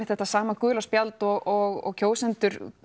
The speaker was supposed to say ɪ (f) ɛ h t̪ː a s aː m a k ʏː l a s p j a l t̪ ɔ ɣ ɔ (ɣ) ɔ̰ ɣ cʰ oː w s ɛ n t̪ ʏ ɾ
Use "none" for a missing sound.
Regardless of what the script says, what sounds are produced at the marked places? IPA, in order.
θ, ɣ

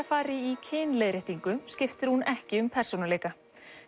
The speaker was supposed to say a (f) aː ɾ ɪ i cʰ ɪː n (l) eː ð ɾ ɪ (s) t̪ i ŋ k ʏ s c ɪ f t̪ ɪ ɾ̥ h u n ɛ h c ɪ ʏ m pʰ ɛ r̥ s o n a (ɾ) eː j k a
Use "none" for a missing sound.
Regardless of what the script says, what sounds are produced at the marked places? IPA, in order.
f, l, h, l

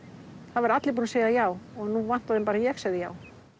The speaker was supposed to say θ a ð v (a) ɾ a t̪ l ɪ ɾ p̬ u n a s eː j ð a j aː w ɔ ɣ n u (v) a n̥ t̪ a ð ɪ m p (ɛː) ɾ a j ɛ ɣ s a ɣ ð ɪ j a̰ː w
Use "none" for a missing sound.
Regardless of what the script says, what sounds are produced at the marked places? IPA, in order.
a, v, aː

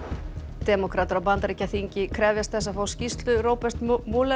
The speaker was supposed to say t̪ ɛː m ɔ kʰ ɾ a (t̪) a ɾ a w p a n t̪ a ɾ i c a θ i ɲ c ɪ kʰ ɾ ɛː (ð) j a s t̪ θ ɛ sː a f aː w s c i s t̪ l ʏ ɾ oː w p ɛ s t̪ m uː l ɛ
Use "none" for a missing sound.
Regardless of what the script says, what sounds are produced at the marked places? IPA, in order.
t̪, v

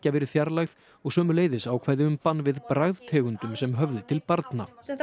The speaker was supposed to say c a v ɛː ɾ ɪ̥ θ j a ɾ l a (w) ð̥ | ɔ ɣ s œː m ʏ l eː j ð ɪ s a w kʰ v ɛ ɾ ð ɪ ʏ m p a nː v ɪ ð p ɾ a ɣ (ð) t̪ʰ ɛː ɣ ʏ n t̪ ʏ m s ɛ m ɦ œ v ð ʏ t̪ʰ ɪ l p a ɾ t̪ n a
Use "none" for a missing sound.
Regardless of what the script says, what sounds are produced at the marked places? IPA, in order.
ɣ, ð

